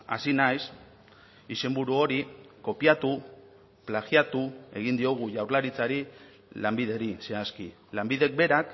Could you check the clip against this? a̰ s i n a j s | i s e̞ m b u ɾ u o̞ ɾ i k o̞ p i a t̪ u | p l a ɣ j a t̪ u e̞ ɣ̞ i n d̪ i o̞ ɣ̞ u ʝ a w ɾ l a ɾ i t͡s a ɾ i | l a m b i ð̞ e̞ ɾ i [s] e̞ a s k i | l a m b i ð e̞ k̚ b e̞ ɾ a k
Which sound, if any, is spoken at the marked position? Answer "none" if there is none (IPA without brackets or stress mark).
s